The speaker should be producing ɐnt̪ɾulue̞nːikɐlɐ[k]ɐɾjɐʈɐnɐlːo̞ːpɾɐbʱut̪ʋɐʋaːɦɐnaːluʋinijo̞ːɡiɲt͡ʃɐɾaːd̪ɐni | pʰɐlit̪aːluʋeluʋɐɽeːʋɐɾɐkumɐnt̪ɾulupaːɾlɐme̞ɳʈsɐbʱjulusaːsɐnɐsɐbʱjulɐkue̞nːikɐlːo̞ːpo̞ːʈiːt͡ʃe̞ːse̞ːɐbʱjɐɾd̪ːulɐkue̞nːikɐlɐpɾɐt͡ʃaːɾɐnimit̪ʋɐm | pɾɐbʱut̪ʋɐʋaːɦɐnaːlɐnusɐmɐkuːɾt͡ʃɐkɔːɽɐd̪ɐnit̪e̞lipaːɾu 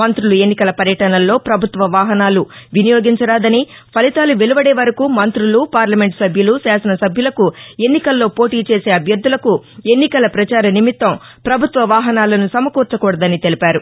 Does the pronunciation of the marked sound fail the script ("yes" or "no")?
yes